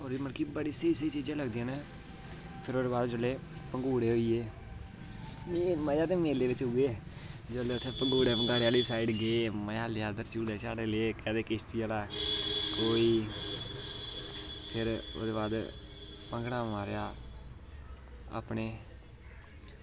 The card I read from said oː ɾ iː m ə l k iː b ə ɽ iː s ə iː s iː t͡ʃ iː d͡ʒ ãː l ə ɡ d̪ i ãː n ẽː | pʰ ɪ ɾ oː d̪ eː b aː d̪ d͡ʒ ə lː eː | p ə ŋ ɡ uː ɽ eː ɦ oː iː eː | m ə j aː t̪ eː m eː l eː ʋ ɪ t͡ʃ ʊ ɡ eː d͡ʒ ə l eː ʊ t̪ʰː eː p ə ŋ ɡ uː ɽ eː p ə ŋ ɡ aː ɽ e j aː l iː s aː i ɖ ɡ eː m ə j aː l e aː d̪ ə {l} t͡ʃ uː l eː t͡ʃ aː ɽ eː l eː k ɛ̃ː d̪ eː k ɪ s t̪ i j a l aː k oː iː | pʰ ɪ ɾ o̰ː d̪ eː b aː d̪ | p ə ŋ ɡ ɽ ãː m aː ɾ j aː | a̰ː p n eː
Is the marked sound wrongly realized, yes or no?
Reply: yes